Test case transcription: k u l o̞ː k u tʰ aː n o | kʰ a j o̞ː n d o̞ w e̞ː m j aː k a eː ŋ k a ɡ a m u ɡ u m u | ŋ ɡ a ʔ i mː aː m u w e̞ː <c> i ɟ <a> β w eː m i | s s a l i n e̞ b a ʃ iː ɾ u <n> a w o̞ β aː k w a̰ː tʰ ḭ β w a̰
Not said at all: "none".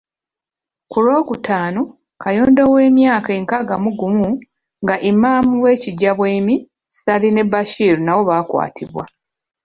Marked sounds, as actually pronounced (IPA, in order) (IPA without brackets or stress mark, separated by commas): c, a, n